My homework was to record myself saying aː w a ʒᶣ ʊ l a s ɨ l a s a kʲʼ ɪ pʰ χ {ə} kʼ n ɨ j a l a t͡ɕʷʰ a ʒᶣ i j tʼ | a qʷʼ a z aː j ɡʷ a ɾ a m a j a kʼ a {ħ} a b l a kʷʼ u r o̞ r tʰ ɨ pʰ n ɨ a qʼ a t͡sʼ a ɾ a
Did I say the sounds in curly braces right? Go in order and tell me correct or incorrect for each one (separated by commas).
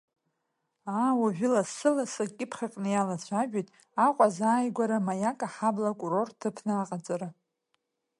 incorrect, correct